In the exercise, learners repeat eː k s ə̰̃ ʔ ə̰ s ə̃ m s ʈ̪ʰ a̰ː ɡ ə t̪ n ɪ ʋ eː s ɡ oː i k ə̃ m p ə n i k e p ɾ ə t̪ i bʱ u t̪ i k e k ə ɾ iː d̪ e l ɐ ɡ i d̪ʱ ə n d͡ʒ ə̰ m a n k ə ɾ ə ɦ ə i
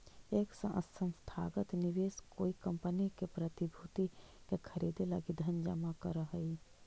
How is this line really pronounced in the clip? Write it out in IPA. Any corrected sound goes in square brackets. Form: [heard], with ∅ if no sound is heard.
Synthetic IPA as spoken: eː k s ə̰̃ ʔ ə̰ s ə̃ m s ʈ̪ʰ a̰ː ɡ ə t̪ n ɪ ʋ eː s [k] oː i k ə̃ m p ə n i k e p ɾ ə t̪ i bʱ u t̪ i k e [kʰ] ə ɾ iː d̪ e l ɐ ɡ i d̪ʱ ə n d͡ʒ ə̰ m a [∅] k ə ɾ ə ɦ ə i